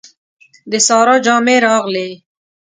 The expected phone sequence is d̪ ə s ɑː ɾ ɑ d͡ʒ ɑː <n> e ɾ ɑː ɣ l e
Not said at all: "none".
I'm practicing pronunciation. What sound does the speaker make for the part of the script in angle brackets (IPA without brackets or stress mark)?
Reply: m